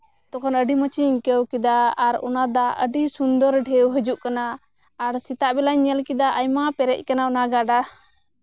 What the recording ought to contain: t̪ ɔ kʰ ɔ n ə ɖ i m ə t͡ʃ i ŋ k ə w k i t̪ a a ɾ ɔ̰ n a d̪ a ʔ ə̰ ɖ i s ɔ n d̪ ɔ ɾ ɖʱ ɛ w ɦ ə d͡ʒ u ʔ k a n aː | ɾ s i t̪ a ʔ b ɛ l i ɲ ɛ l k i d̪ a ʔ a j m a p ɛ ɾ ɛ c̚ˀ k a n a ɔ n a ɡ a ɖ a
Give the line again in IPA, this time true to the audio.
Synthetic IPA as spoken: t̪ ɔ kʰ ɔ n ə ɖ i m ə t͡ʃ i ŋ k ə w k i d̪ a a ɾ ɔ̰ n a d̪ a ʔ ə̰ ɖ i s u n d̪ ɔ ɾ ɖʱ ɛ w ɦ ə d͡ʒ u ʔ k a n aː | ɾ s i t̪ a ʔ b ɛ l a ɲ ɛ l k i d̪ a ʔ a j m a p ɛ ɾ ɛ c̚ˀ k a n a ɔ n a ɡ a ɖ a